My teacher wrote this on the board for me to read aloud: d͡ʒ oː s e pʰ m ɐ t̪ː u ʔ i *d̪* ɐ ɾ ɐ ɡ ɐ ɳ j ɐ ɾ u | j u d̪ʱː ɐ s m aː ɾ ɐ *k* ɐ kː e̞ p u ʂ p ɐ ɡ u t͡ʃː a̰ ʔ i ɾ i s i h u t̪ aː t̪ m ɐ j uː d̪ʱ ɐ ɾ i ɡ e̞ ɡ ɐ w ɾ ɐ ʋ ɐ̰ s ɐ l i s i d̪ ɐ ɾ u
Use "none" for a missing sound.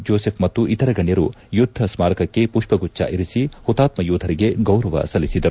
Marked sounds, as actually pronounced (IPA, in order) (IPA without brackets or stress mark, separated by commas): t̪, k